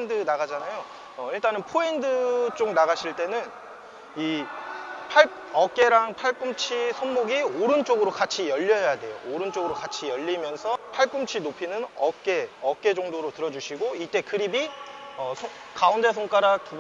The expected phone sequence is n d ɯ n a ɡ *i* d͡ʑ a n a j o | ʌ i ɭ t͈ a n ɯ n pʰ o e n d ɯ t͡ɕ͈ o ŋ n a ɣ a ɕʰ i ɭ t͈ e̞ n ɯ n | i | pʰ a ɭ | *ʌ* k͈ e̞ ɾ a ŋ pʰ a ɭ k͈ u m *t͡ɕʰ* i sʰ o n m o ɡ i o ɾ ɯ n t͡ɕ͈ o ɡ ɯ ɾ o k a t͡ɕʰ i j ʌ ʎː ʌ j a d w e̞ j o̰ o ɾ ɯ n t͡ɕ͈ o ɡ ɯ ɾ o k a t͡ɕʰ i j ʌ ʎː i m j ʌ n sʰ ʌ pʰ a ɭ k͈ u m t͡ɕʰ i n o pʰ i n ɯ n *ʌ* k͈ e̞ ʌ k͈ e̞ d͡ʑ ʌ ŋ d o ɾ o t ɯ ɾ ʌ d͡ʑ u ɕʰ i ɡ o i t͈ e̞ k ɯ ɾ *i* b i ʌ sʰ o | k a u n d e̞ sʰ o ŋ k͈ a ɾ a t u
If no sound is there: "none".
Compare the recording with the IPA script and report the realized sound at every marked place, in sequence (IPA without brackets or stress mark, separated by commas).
a, ʌ, t͡ɕʰ, ʌ, i